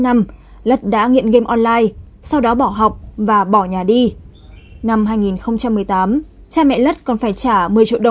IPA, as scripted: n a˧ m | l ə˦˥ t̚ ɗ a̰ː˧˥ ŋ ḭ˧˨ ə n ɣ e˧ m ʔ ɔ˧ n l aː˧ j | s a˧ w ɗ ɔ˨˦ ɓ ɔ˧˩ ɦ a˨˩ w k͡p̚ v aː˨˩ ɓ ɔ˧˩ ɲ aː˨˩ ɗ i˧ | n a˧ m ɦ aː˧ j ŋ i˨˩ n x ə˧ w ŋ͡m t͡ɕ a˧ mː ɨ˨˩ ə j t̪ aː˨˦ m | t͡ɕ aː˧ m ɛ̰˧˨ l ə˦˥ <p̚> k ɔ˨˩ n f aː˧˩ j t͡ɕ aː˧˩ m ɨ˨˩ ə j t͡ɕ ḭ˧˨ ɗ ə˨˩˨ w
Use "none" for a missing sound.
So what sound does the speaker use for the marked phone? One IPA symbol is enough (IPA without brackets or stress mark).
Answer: t̚